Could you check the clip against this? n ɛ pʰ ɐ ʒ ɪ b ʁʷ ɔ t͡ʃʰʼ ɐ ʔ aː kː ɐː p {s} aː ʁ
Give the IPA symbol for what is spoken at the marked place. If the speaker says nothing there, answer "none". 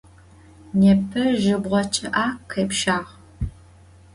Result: ʃ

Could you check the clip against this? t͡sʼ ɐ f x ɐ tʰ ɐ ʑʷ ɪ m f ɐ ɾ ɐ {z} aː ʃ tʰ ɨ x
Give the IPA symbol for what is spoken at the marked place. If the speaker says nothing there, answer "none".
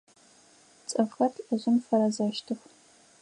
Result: z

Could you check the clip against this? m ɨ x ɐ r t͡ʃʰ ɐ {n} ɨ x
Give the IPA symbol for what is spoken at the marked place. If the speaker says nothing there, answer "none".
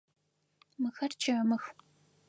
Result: m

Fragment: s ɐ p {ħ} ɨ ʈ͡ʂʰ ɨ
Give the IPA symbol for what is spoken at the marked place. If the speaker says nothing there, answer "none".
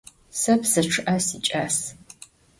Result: s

